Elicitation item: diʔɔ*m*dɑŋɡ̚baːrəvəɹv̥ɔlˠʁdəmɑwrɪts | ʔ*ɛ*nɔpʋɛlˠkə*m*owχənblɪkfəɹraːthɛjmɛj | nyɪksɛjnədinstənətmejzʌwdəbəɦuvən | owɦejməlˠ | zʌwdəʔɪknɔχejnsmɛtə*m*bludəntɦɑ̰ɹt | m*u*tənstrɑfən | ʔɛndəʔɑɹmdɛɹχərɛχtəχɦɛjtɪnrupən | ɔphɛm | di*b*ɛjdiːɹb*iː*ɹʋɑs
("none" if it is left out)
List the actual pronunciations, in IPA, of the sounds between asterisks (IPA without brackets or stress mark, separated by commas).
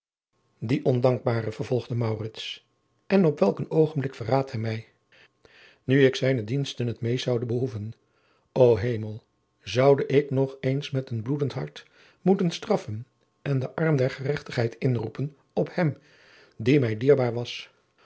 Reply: n, ɛ, n, n, u, m, aː